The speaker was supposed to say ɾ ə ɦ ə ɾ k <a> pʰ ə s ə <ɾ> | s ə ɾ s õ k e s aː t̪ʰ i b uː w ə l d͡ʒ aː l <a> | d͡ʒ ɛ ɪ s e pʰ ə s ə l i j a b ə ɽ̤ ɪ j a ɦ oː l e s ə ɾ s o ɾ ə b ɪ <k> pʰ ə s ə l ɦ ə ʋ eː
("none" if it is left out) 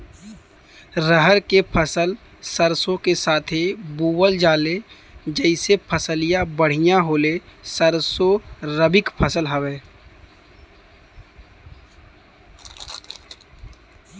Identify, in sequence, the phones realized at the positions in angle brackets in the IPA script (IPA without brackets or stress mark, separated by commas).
e, l, e, k